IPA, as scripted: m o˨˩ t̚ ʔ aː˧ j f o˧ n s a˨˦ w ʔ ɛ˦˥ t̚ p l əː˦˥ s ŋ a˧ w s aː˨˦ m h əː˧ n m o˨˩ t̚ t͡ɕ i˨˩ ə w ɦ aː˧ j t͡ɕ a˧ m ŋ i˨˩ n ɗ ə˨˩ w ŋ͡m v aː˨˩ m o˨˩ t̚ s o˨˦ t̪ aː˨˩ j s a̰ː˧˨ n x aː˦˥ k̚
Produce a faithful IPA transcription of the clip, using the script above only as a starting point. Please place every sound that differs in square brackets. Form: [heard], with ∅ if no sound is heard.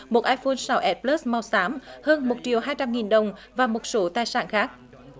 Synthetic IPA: m o˨˩ t̚ ʔ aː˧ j f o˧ n s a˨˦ w ʔ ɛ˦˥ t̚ p l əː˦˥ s [m] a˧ w s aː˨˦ m h əː˧ n m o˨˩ t̚ t͡ɕ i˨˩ ə w ɦ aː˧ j t͡ɕ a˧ m ŋ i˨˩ n ɗ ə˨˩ w ŋ͡m v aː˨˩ m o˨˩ t̚ s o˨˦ t̪ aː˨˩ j s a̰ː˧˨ n x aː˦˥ k̚